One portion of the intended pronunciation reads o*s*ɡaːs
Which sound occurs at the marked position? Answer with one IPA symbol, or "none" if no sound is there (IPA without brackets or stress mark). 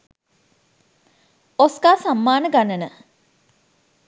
s